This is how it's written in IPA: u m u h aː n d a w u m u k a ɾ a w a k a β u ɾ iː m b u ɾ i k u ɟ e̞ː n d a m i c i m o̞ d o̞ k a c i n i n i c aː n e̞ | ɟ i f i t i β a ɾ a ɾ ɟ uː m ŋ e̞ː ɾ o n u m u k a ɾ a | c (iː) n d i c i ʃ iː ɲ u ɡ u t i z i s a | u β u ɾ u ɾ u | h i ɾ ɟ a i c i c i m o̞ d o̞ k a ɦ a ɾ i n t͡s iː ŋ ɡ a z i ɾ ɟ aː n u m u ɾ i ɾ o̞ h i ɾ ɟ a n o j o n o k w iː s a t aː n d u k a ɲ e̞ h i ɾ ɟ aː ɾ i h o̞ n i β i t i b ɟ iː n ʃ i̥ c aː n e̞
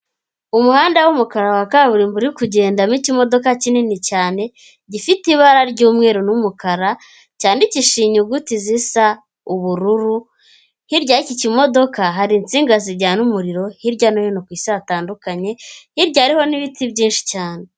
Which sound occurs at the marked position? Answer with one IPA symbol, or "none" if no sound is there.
aː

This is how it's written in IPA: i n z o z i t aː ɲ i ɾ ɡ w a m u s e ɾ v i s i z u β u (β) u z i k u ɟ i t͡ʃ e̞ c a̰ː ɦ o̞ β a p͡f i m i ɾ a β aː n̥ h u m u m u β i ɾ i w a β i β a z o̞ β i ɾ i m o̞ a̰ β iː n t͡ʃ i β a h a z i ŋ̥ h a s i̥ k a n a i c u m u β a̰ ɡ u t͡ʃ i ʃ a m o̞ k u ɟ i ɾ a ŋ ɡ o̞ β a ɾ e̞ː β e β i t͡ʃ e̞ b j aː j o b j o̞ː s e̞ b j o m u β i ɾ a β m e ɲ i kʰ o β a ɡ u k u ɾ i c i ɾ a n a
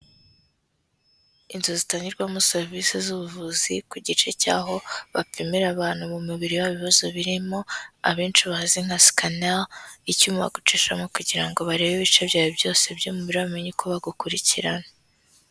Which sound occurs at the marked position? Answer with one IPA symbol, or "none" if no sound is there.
v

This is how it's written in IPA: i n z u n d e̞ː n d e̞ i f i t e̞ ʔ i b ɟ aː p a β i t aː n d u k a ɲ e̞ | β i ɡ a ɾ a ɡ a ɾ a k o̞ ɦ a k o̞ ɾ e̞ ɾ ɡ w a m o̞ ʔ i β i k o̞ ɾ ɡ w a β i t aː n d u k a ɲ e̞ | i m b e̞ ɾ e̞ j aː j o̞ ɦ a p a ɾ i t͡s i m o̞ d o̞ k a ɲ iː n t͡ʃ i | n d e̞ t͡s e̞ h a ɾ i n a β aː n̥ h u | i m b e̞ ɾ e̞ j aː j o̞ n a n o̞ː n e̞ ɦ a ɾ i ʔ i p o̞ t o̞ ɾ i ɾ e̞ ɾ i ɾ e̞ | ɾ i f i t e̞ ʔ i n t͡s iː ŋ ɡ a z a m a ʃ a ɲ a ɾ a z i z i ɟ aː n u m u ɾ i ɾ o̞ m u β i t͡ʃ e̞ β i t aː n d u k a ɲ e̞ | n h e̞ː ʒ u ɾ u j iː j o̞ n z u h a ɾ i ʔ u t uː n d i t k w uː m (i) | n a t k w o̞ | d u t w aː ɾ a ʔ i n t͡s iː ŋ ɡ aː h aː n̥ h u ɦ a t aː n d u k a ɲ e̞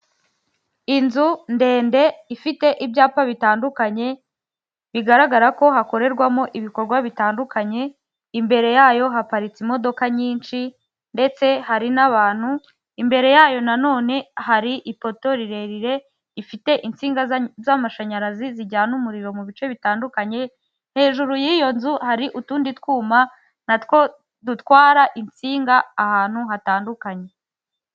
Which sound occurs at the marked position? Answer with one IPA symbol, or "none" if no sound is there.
a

